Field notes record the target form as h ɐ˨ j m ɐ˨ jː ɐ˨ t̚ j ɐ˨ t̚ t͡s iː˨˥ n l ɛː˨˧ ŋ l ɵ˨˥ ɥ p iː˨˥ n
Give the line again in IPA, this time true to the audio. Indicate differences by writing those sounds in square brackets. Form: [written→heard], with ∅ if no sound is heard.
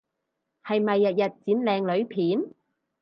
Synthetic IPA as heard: h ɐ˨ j m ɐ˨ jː ɐ˨ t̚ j ɐ˨ t̚ t͡s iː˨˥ n l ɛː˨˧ ŋ l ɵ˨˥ ɥ [p→pʰ] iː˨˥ n